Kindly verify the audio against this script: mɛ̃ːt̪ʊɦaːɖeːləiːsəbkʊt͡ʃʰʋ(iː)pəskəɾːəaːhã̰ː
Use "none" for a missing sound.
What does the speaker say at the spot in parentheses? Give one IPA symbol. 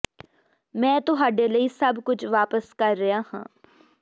aː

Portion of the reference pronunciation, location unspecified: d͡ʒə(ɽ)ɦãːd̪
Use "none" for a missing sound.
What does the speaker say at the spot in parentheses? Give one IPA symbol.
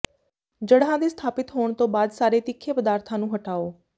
ɽ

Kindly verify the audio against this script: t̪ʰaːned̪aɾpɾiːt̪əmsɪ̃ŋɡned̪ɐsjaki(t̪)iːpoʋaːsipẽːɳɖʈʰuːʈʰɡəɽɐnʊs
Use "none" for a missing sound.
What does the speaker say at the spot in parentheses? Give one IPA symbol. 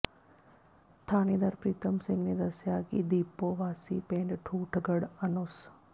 d̪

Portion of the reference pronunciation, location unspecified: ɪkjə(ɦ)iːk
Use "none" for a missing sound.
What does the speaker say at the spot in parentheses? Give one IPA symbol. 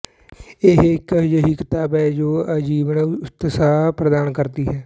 ɦ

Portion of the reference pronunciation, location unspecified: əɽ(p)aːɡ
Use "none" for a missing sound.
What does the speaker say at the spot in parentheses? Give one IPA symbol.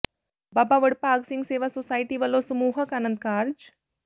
p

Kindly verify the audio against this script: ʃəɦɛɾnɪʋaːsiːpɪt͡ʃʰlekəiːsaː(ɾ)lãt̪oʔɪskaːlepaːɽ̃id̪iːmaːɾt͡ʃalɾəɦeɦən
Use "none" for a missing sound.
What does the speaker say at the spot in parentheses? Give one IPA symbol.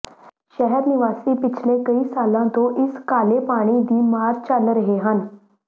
none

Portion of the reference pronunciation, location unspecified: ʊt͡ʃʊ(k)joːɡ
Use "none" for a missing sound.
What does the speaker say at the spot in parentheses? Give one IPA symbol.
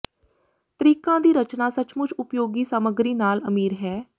p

